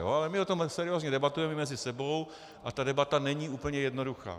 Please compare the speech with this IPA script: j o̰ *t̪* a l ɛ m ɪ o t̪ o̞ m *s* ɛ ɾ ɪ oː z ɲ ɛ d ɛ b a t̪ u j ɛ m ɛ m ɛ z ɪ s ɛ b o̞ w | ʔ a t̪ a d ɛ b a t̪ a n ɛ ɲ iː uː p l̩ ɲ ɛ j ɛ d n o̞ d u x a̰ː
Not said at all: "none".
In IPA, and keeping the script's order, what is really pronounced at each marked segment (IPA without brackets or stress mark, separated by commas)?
none, s